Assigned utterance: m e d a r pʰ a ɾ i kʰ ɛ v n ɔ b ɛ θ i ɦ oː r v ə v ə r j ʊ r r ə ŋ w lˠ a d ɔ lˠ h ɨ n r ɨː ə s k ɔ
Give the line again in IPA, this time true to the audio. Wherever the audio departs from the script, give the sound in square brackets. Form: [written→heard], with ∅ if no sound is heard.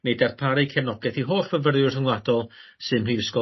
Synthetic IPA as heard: [m→n] e d a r pʰ a ɾ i kʰ ɛ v n ɔ [b→ɡ] ɛ θ i ɦ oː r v ə v ə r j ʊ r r ə ŋ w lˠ a d ɔ lˠ [h→s] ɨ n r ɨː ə s k ɔ